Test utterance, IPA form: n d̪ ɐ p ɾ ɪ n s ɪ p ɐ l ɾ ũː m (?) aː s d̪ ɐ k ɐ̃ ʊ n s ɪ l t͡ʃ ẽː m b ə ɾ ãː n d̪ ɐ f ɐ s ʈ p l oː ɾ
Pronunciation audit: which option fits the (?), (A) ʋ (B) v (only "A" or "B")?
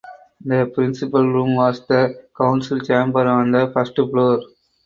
A